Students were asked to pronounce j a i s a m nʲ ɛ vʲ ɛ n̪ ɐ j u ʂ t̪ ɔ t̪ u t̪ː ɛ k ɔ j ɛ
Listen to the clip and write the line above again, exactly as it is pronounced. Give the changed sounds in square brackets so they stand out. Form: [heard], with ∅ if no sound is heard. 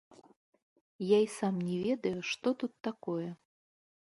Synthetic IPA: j a i s a m nʲ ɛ vʲ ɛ [d̪] ɐ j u ʂ t̪ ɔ t̪ u t̪ː [a] k ɔ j ɛ